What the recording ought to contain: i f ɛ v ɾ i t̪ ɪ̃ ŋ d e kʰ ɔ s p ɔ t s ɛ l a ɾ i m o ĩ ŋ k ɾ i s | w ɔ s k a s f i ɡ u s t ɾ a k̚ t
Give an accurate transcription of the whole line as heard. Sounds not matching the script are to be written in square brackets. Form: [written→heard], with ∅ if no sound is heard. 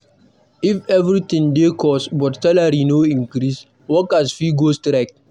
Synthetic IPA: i f ɛ v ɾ i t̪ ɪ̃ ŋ d e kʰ ɔ s [p→b] ɔ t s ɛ l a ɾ i [m→n] o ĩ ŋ k ɾ i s | w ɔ [s→∅] k a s f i ɡ [u→o] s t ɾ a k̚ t

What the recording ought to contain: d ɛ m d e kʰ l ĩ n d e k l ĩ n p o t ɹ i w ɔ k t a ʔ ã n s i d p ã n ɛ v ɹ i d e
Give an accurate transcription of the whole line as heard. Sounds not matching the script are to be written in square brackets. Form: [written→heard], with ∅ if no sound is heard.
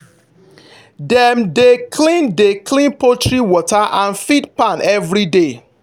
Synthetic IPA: d ɛ m d e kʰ l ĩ n d e k l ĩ n p o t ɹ i w ɔ [k→∅] t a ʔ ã n [s→f] i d p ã n ɛ v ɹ i d e

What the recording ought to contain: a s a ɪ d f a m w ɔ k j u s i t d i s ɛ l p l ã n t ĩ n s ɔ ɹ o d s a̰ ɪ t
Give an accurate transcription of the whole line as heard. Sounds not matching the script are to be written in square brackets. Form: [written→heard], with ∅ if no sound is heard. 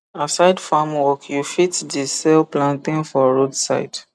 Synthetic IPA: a s a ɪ d f a m w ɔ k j u [s→f] i t d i s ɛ l p l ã n t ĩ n [s→f] ɔ ɹ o d s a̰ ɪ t

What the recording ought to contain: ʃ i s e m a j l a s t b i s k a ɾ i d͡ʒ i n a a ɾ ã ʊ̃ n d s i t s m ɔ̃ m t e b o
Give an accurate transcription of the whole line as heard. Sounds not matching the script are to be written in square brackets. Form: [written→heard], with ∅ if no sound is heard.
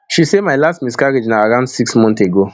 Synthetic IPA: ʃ i s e m a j l a s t [b→m] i s k a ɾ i d͡ʒ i n a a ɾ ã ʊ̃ n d s i [t→k] s m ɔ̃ [m→n] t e [b→ɡ] o

